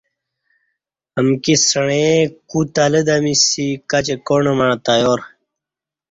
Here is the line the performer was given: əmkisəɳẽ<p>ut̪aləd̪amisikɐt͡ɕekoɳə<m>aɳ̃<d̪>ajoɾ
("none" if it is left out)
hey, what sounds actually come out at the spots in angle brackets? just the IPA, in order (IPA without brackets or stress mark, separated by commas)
k, m, t̪